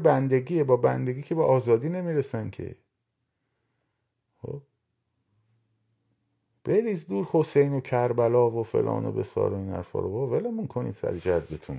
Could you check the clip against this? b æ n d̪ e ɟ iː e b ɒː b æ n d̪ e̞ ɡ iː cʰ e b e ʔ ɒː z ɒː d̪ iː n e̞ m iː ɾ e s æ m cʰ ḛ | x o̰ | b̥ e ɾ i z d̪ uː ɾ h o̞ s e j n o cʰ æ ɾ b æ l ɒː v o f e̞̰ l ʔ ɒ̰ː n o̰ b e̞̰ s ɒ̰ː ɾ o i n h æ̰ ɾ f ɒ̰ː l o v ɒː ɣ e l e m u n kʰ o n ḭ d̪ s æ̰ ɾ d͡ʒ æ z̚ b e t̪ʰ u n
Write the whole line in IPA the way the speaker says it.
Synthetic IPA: b æ n d̪ e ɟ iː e b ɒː b æ n d̪ e̞ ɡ iː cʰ e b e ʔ ɒː z ɒː d̪ iː n e̞ m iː ɾ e s æ n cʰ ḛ | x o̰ | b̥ e ɾ i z d̪ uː ɾ h o̞ s e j n o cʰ æ ɾ b æ l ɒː v o f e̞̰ l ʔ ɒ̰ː n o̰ b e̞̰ s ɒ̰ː ɾ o i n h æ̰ ɾ f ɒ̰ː ɾ o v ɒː v e l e m u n kʰ o n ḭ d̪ s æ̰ ɾ d͡ʒ æ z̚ b e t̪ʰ u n